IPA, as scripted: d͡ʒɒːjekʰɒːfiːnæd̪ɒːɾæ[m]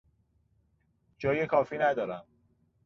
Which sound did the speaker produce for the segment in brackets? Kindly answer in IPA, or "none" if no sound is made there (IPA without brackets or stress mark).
m